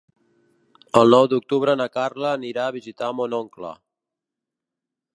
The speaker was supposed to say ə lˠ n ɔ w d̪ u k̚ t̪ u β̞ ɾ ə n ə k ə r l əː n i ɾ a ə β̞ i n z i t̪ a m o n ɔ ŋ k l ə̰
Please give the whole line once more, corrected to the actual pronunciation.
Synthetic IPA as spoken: ə lˠ n ɔ w d̪ u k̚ t̪ u β̞ ɾ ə n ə k a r l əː n i ɾ a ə β̞ i z i t̪ a m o n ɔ ŋ k l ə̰